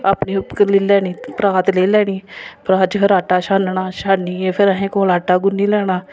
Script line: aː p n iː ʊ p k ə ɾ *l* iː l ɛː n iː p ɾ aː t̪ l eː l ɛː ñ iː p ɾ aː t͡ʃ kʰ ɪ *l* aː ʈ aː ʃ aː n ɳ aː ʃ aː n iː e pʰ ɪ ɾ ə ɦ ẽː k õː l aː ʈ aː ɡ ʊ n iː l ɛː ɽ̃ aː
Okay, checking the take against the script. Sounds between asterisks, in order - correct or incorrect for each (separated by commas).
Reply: correct, incorrect